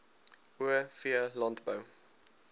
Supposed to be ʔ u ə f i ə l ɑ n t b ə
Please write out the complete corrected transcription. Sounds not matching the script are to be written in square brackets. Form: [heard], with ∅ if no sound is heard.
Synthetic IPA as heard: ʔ u ə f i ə l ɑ n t b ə